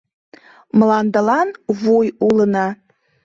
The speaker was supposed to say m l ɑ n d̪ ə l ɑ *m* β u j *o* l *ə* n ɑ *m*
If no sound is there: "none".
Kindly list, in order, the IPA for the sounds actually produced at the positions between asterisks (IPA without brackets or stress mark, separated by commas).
n, u, ə, none